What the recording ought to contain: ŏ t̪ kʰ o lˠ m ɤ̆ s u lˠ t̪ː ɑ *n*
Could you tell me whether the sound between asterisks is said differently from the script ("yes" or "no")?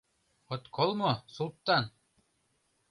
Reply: no